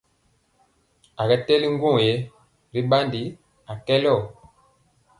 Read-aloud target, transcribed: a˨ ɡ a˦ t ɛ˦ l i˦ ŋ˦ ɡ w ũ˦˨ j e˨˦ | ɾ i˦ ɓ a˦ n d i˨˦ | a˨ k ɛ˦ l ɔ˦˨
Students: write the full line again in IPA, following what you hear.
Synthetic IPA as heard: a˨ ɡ ɛ˦ t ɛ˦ l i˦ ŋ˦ ɡ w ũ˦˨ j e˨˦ | ɾ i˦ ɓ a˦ n d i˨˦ | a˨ k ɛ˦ l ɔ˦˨

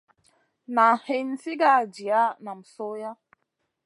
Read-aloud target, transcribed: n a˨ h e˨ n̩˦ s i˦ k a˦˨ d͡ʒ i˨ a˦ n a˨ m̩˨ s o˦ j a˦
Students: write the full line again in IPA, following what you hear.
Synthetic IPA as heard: n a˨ h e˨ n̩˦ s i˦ ɡ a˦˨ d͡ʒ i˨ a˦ n a˨ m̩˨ s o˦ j a˦

